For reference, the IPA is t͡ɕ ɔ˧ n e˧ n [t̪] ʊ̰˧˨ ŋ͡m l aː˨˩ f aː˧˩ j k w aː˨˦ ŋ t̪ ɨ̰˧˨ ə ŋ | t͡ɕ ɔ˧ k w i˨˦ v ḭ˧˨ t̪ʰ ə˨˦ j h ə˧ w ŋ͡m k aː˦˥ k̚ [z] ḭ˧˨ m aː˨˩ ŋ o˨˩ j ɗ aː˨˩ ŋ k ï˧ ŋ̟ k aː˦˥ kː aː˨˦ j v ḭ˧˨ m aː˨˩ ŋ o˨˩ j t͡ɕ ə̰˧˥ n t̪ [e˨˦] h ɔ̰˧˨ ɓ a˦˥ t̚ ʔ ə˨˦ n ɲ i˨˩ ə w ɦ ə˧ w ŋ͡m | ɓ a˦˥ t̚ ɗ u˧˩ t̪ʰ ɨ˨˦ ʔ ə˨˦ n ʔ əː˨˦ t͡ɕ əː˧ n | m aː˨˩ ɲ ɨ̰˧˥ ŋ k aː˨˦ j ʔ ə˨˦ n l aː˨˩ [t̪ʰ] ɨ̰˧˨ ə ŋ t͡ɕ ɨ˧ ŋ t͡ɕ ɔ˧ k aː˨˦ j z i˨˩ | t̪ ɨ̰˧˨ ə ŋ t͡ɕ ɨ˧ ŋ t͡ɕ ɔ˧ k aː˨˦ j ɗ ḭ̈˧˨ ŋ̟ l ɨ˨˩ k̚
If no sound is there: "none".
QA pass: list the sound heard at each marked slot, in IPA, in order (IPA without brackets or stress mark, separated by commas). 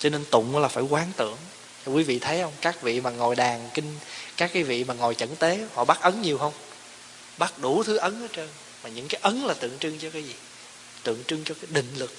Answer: t̪, v, e˨˦, t̪